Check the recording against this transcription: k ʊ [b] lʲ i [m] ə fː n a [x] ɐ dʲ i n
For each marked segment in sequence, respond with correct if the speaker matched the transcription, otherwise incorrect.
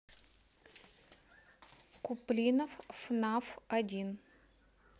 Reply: incorrect, incorrect, incorrect

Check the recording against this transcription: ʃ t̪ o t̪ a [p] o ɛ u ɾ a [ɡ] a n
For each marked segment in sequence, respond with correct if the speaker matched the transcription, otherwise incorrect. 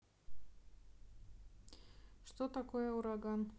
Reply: incorrect, correct

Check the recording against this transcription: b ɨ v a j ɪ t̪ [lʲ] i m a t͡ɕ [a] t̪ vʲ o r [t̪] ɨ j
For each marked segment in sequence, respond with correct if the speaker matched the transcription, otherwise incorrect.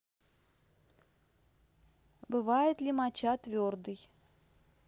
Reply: correct, correct, incorrect

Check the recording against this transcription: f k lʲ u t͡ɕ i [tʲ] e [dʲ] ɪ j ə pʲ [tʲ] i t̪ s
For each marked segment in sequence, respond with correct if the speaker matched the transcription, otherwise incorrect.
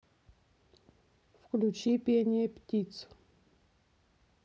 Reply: incorrect, incorrect, correct

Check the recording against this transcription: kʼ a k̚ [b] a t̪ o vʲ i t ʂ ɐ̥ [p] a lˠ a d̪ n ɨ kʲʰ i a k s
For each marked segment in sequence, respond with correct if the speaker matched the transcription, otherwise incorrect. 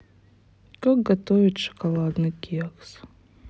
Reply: incorrect, incorrect

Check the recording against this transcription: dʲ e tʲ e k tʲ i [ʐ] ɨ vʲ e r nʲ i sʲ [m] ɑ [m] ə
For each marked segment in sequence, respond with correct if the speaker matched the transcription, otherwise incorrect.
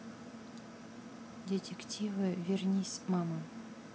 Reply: incorrect, correct, correct

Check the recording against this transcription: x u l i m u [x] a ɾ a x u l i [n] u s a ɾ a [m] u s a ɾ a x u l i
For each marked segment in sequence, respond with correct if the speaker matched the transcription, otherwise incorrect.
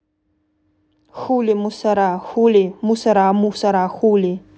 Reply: incorrect, incorrect, correct

